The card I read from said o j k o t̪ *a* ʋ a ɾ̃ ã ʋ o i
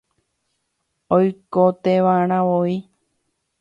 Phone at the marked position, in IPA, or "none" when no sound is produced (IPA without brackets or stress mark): e